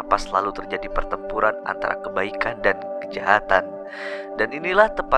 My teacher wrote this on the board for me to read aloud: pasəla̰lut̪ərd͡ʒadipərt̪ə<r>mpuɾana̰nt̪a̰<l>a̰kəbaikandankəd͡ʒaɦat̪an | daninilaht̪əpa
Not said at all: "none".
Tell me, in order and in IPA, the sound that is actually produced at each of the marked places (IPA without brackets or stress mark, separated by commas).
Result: none, ɾ